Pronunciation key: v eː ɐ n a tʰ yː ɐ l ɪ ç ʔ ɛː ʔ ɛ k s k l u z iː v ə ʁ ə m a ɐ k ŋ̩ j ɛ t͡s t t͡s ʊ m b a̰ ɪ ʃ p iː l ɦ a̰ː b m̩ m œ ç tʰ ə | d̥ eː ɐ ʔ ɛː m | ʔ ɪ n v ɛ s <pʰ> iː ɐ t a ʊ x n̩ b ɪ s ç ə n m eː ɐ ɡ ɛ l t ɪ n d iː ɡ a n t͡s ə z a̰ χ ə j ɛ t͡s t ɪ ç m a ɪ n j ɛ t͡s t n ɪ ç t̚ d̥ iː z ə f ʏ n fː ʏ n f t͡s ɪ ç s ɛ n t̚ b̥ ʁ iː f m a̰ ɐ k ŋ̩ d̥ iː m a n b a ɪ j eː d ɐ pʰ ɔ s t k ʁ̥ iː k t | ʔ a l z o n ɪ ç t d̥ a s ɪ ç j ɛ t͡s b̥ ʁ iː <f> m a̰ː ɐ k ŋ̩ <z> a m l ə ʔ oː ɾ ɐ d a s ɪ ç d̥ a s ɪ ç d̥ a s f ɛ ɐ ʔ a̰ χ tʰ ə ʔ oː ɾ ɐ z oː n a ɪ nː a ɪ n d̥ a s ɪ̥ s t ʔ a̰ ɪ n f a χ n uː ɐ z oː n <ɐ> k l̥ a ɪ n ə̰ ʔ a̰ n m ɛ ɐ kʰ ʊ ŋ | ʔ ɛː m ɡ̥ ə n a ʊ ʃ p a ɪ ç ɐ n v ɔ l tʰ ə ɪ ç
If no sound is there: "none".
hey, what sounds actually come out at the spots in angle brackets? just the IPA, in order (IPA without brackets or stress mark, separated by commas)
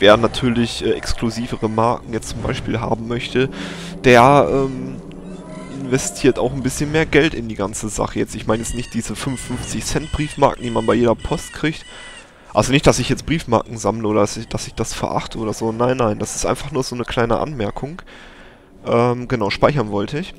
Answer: tʰ, f, z, ə